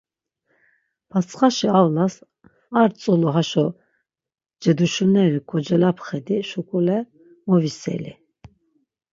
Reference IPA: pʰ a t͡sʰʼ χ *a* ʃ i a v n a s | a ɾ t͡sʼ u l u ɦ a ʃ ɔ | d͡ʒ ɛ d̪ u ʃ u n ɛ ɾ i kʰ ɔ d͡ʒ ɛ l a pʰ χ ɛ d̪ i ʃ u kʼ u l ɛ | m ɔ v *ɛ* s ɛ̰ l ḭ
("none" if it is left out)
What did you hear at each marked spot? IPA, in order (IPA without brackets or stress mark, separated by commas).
a, i